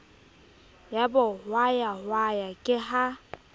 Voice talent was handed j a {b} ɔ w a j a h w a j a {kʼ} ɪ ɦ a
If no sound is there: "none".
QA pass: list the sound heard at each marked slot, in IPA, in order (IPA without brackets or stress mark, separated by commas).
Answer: b, kʼ